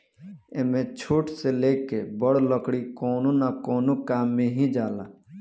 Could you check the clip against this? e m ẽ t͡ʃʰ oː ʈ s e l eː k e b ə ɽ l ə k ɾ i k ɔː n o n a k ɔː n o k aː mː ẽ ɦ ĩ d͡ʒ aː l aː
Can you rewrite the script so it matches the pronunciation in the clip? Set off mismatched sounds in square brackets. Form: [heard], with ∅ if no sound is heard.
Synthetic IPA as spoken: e m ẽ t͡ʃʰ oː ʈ s e l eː k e b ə ɽ l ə k [ɽ] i k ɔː n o n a k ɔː n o k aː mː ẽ ɦ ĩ d͡ʒ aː l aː